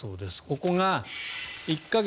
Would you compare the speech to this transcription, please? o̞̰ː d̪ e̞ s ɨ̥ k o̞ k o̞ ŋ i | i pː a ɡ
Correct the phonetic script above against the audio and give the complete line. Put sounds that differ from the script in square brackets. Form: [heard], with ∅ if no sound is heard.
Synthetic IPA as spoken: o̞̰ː d̪ e̞ s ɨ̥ k o̞ k o̞ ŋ [a] | i [kː] a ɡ